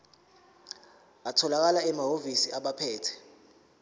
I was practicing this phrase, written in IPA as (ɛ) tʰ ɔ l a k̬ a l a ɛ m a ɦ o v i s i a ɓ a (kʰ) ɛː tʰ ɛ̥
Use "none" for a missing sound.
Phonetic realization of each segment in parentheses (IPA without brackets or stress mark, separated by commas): a, pʰ